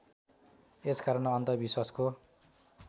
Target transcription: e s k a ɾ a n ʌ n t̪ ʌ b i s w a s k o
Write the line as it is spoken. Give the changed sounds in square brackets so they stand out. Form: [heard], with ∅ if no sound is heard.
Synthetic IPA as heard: e s k a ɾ [ʌ] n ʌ n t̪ ʌ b i s w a s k o